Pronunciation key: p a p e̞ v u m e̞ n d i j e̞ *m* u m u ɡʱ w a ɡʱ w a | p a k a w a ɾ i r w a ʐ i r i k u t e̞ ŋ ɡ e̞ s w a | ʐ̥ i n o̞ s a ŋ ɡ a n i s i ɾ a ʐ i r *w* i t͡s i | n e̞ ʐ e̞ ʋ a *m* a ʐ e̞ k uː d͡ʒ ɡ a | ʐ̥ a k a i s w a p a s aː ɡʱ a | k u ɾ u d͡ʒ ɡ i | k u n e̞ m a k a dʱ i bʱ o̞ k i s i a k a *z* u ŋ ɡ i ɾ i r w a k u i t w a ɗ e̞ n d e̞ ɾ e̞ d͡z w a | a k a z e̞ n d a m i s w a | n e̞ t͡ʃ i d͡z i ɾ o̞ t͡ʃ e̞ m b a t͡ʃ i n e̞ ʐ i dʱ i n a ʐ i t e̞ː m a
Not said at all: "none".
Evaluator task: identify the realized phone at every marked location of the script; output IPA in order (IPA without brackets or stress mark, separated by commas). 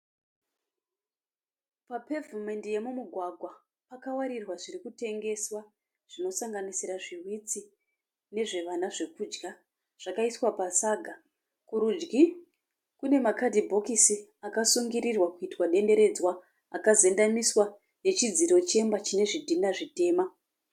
m, w, n, s